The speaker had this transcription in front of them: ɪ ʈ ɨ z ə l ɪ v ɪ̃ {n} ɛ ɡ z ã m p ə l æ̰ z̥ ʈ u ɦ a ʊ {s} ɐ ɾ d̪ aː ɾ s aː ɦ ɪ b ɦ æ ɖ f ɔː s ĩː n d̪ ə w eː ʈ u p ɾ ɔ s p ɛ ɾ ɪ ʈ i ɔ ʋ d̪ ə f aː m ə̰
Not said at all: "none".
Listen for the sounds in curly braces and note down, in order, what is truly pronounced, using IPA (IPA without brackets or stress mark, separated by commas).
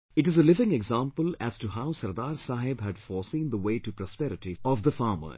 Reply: ŋ, s